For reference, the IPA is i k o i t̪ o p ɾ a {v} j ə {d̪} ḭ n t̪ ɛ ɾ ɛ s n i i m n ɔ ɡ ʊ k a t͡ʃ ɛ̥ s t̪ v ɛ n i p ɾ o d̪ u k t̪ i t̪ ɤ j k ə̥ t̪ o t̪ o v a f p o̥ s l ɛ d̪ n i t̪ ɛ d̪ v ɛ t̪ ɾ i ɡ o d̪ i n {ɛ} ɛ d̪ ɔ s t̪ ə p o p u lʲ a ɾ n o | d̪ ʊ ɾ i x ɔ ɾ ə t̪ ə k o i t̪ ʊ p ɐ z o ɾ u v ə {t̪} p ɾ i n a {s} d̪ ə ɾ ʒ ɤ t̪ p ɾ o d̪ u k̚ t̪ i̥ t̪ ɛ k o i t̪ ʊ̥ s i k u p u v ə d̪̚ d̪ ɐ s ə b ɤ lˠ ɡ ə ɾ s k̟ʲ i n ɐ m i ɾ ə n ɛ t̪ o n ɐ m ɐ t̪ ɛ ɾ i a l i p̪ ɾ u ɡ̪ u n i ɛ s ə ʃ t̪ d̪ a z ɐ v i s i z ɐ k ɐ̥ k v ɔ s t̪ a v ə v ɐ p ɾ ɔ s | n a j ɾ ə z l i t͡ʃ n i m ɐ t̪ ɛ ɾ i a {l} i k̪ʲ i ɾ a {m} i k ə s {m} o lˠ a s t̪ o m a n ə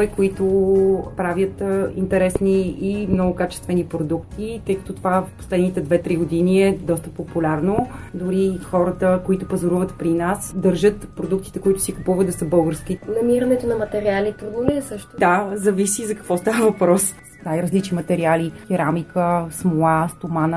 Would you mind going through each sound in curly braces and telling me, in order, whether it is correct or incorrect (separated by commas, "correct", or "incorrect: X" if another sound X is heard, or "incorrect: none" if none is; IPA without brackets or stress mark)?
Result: correct, incorrect: t̪, incorrect: i, correct, correct, correct, correct, correct